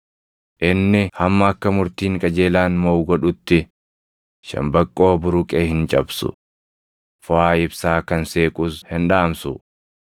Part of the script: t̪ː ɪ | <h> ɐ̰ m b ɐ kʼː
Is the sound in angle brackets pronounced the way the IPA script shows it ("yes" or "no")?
no